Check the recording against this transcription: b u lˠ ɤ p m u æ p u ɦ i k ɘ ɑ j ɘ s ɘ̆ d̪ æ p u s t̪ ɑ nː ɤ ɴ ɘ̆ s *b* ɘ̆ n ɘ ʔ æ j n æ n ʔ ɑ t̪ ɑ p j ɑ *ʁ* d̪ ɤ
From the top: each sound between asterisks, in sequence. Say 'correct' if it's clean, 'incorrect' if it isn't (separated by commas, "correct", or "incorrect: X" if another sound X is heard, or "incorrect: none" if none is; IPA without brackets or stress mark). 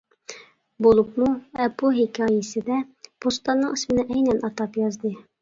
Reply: incorrect: m, incorrect: z